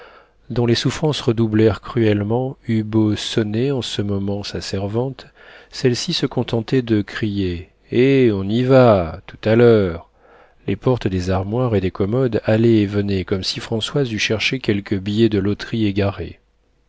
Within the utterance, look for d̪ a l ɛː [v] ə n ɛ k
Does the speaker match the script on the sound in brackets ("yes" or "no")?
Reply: yes